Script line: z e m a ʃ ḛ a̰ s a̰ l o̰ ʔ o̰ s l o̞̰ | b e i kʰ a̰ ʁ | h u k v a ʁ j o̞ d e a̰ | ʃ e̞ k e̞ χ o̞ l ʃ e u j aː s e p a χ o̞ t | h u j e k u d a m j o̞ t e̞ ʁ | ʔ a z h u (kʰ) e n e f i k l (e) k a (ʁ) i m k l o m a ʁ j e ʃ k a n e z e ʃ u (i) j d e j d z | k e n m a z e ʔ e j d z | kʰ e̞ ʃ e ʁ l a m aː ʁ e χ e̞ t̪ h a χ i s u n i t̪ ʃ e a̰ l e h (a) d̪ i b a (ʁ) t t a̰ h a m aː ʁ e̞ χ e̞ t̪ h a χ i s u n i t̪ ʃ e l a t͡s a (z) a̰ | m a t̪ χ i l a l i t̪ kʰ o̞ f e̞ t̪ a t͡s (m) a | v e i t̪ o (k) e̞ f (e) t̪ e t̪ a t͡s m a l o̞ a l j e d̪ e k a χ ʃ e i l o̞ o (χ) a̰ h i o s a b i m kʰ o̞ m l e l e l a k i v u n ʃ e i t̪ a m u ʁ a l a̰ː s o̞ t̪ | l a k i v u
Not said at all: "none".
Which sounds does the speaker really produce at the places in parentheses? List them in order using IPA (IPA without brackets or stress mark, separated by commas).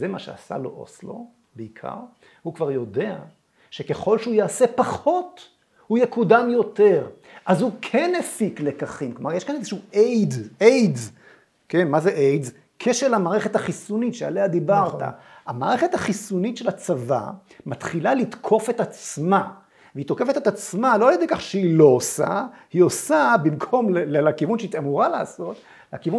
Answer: kʰ, e, χ, e, a, ʁ, v, m, k, e, s